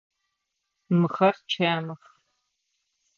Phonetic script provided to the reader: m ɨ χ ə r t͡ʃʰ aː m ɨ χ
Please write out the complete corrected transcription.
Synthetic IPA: m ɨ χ ɐ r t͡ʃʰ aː m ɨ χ